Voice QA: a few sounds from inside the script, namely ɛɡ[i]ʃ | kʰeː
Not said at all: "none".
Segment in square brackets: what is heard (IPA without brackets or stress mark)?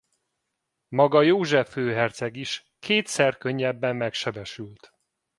i